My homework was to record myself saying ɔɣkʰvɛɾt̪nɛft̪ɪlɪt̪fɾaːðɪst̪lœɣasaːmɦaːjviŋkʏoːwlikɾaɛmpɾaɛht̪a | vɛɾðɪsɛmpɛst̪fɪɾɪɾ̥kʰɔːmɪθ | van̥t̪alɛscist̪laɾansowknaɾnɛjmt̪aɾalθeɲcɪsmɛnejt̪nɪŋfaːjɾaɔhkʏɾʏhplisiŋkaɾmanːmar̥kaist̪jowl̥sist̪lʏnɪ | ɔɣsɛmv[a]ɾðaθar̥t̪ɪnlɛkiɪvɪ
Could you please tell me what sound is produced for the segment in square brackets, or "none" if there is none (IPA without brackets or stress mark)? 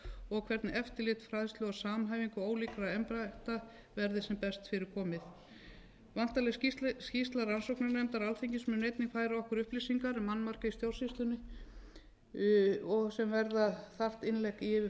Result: ɛ